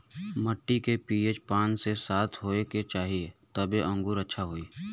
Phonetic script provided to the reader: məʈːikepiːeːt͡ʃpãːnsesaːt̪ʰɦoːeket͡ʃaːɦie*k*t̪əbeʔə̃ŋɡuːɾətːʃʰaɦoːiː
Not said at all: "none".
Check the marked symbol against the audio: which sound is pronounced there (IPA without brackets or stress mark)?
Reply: none